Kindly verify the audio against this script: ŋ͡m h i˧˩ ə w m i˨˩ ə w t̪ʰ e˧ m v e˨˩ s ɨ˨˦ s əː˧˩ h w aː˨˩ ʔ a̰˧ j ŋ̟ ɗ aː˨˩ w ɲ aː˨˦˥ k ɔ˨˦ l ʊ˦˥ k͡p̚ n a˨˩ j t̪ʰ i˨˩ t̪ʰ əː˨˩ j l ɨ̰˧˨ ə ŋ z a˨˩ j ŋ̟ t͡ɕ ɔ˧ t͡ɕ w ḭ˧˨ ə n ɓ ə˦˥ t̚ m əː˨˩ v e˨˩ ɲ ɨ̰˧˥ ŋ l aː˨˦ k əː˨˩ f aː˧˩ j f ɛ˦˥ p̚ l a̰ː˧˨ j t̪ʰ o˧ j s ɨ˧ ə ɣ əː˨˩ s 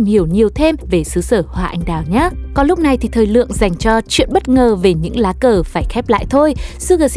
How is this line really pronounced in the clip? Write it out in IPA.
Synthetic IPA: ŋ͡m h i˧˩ ə w ɲ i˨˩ ə w t̪ʰ e˧ m v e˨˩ s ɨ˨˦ s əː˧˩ h w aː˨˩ ʔ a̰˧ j ŋ̟ ɗ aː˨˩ w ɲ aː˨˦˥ k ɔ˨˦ l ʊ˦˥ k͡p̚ n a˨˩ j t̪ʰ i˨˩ t̪ʰ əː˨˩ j l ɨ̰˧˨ ə ŋ z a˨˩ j ŋ̟ t͡ɕ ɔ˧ t͡ɕ w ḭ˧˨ ə n ɓ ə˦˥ t̚ ŋ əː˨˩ v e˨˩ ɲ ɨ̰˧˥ ŋ l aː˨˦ k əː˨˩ f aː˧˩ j x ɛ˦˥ p̚ l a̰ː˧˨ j t̪ʰ o˧ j s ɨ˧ ə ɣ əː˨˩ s